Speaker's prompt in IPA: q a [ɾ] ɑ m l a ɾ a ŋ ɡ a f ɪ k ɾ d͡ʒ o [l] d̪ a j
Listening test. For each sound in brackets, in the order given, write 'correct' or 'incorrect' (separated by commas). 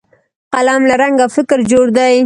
incorrect, incorrect